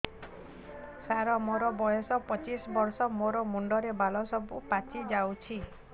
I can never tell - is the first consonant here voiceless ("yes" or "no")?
yes